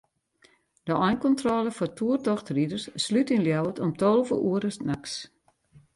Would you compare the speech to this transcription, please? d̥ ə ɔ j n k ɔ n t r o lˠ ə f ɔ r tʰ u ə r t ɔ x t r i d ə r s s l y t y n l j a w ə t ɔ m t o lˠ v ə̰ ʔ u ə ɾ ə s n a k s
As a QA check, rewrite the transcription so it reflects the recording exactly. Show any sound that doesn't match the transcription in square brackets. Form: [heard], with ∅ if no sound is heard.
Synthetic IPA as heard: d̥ ə ɔ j n k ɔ n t r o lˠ ə f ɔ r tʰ u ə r t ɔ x t r i d ə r s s l y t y n l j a w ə t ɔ m t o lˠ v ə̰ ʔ u ə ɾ ə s n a k s